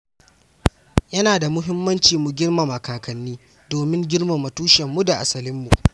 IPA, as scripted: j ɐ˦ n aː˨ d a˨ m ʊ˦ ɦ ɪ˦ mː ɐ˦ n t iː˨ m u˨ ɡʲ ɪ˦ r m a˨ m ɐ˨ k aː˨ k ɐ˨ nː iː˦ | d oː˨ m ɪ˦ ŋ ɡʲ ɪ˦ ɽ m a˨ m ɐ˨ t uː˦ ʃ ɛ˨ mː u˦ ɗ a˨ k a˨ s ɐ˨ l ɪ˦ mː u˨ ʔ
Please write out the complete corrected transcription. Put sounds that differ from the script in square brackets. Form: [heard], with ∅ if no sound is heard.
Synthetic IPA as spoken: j ɐ˦ n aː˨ d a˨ m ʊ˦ ɦ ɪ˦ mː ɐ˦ n [t͡ʃ] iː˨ m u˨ ɡʲ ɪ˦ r m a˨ m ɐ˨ k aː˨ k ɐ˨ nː iː˦ | d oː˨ m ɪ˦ ŋ ɡʲ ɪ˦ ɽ m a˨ m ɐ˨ t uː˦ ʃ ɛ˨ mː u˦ [d] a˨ [ʔ] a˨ s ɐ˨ l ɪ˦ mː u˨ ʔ